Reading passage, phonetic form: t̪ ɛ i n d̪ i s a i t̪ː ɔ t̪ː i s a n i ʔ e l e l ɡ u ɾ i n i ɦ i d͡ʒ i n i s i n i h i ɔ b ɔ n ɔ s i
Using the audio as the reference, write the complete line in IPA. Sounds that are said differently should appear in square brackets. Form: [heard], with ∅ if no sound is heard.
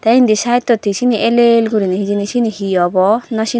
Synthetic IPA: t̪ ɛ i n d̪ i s a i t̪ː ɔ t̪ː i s [i] n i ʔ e l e l ɡ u ɾ i n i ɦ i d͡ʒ i n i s i n i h i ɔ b ɔ n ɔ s i

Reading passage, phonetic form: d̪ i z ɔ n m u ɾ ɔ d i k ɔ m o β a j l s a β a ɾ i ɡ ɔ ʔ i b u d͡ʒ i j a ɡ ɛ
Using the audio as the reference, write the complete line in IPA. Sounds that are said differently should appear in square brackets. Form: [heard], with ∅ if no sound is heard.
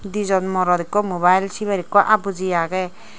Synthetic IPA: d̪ i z ɔ n m [ɔ] ɾ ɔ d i k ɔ m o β a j l s [i] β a ɾ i [k] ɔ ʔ [a] b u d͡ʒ i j a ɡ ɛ

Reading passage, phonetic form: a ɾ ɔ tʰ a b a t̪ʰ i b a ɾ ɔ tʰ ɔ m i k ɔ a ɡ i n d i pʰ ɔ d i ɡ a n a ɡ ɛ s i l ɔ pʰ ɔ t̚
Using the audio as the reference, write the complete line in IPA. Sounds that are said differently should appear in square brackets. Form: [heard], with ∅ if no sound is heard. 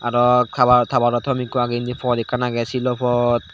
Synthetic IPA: a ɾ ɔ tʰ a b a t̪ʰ [a] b a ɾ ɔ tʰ ɔ m i k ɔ a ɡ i n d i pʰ ɔ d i [k] a n a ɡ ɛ s i l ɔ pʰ ɔ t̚

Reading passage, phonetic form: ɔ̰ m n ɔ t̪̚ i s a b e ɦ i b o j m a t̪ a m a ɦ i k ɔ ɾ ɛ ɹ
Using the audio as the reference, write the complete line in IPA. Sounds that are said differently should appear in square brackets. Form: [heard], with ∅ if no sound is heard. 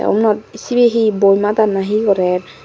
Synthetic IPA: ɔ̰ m n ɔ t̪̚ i s [i] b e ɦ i b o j m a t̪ a [n] a ɦ i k ɔ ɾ ɛ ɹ

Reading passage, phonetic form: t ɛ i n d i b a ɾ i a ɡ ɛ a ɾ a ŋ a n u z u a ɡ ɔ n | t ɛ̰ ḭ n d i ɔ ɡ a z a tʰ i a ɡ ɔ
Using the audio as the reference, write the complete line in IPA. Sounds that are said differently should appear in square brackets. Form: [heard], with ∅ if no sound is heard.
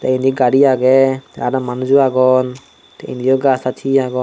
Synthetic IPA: t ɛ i n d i [ɡ] a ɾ i a ɡ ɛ a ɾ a [m] a n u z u a ɡ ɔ n | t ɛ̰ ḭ n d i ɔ ɡ a [s] a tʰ i a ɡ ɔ

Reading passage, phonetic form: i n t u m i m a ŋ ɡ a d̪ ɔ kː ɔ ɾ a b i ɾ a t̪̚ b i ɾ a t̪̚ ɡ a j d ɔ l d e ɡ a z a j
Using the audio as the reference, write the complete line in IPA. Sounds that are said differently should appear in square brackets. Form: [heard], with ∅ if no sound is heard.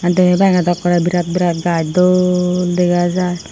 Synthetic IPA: [a] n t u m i [b] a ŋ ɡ a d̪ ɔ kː ɔ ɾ a b i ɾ a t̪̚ b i ɾ a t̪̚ ɡ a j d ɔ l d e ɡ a z a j

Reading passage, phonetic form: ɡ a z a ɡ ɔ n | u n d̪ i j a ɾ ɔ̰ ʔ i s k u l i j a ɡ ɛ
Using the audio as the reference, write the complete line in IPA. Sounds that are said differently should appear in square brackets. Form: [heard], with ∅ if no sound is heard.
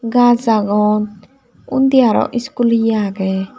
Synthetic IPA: ɡ a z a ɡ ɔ n | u n d̪ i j a ɾ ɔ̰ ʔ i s k u l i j a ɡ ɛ

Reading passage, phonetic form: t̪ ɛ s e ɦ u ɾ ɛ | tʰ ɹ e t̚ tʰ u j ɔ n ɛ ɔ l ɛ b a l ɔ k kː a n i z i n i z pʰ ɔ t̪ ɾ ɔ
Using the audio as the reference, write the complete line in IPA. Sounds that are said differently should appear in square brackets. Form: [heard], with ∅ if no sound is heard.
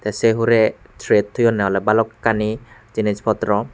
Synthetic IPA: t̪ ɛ s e ɦ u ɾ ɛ | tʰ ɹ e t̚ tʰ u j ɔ n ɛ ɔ l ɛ b a l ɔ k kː a n i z i n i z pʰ ɔ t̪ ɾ ɔ

